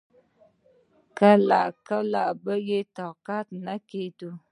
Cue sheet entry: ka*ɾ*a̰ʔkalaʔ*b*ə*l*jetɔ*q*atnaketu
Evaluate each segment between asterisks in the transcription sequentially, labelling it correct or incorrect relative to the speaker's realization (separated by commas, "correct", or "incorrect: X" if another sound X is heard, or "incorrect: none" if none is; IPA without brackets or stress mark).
incorrect: l, correct, incorrect: none, incorrect: k